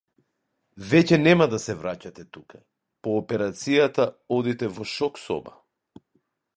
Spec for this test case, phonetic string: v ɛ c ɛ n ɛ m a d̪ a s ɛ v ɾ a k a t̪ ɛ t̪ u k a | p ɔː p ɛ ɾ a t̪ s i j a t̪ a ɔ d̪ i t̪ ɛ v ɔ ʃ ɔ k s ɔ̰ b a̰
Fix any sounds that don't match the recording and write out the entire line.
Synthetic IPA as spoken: v ɛ c ɛ n ɛ m a d̪ a s ɛ v ɾ a c a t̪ ɛ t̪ u k a | p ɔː p ɛ ɾ a t̪ s i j a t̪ a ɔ d̪ i t̪ ɛ v ɔ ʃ ɔ k s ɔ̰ b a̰

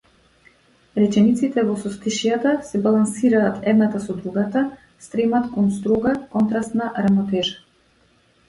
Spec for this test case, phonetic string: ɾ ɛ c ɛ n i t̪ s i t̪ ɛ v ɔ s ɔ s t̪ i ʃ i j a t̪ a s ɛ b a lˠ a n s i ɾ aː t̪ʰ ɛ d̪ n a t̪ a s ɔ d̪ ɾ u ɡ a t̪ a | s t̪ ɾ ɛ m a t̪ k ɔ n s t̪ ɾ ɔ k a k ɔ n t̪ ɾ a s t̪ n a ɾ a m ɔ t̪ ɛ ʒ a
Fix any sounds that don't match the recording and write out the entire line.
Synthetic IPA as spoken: ɾ ɛ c ɛ n i t̪ s i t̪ ɛ v ɔ s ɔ s t̪ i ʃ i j a t̪ a s ɛ b a lˠ a n s i ɾ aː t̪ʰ ɛ d̪ n a t̪ a s ɔ d̪ ɾ u ɡ a t̪ a | s t̪ ɾ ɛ m a t̪ k ɔ n s t̪ ɾ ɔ ɡ a k ɔ n t̪ ɾ a s t̪ n a ɾ a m ɔ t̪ ɛ ʒ a

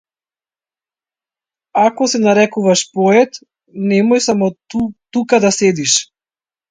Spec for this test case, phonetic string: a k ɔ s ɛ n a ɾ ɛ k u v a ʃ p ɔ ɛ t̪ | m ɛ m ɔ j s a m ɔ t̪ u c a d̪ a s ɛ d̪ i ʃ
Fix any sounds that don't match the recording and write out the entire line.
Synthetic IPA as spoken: a k ɔ s ɛ n a ɾ ɛ k u v a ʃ p ɔ ɛ t̪ | n ɛ m ɔ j s a m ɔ t̪ u k a d̪ a s ɛ d̪ i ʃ

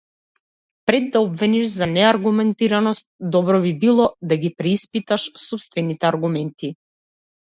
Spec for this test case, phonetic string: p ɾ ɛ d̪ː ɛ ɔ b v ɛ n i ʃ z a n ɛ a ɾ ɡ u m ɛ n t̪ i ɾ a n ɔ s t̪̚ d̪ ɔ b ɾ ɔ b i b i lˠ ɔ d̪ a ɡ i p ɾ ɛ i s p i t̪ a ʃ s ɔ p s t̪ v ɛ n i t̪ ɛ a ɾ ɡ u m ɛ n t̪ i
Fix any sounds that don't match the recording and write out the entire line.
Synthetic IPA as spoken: p ɾ ɛ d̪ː a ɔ b v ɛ n i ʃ z a n ɛ a ɾ ɡ u m ɛ n t̪ i ɾ a n ɔ s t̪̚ d̪ ɔ b ɾ ɔ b i b i lˠ ɔ d̪ a ɡ i p ɾ ɛ i s p i t̪ a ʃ s ɔ p s t̪ v ɛ n i t̪ ɛ a ɾ ɡ u m ɛ n t̪ i

